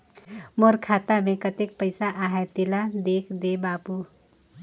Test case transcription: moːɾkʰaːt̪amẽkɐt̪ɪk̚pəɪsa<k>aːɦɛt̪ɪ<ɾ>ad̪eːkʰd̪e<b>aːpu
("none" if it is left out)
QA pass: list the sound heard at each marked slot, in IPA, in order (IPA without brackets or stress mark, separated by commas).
ʔ, l, b